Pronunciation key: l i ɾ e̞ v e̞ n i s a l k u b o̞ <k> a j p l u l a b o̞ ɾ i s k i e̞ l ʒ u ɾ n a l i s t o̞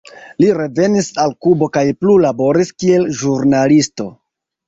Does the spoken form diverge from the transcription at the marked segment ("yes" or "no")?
no